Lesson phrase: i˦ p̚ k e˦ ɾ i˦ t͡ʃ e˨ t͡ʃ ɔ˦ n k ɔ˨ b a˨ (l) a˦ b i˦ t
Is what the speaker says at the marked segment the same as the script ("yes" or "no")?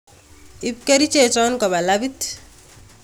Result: yes